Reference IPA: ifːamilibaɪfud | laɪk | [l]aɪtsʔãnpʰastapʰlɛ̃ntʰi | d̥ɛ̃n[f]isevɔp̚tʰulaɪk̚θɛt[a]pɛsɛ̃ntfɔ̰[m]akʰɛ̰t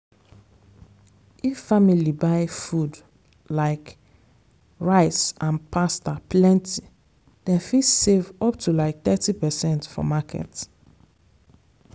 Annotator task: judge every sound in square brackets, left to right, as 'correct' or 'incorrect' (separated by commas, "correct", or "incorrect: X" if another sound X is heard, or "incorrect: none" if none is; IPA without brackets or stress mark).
incorrect: ɹ, correct, incorrect: i, correct